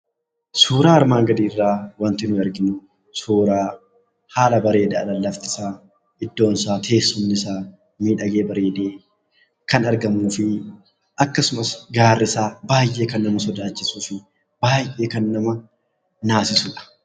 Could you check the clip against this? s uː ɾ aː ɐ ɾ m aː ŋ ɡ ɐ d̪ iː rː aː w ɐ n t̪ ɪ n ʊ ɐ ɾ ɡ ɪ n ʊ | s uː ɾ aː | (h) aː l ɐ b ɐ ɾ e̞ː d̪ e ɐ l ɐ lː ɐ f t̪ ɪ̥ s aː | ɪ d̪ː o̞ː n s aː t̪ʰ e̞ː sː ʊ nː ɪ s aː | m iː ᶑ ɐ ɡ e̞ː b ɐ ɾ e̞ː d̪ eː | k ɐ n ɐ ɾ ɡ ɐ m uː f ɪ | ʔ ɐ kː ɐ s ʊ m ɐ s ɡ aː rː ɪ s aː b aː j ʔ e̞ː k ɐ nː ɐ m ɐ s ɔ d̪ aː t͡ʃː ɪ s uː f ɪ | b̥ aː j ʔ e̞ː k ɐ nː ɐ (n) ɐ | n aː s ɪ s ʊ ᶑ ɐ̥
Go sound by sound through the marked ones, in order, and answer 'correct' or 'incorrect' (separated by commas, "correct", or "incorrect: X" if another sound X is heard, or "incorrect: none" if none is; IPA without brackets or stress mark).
correct, incorrect: m